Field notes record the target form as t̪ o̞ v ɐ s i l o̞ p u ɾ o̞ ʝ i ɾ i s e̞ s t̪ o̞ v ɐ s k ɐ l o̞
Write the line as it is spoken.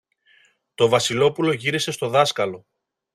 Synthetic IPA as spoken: t̪ o̞ v ɐ s i l o̞ p u l o̞ ʝ i ɾ i s e̞ s t̪ o̞ ð ɐ s k ɐ l o̞